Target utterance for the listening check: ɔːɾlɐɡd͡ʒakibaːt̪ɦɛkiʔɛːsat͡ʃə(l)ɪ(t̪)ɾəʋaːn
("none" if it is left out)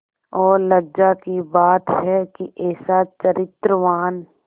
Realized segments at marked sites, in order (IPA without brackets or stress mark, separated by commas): ɾ, t̪